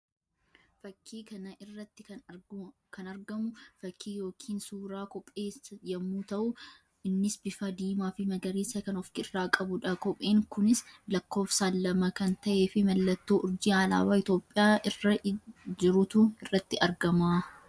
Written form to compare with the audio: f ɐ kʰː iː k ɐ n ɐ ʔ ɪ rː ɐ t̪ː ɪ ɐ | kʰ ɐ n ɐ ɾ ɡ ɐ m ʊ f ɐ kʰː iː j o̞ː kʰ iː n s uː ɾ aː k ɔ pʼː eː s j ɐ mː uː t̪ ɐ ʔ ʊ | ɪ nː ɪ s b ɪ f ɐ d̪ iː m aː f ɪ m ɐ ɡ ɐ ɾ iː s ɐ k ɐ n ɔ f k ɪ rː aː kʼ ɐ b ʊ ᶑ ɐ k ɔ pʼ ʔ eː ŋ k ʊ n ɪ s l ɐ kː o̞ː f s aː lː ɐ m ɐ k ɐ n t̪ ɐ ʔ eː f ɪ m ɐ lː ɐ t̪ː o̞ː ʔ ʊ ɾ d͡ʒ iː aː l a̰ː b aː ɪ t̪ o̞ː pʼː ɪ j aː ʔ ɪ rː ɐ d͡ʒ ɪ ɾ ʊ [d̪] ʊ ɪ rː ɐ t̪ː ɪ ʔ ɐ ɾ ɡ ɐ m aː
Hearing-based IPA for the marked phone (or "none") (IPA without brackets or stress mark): t̪